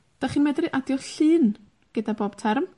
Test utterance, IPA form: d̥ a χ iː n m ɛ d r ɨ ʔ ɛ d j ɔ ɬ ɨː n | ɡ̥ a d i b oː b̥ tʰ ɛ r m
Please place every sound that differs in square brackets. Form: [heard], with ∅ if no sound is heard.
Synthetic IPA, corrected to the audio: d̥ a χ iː n m ɛ d r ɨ ʔ [a] d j ɔ ɬ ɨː n | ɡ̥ [ə] d [a] b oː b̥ tʰ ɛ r m